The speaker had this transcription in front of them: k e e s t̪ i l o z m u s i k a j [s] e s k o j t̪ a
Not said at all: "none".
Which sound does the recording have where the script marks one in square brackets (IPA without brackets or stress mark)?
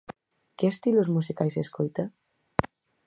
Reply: s